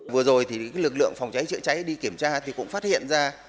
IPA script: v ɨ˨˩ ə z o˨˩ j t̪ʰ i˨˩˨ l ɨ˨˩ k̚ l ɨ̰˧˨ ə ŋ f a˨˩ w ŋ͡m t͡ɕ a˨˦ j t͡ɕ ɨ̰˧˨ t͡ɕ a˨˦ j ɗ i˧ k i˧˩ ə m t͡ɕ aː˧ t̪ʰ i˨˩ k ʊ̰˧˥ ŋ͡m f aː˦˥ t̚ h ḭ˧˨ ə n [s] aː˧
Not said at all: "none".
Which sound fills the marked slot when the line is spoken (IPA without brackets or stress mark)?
z